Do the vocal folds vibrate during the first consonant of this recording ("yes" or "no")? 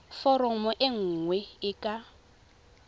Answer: no